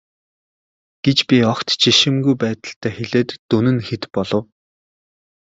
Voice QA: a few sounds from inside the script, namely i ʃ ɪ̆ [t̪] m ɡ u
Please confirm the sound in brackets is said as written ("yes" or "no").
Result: no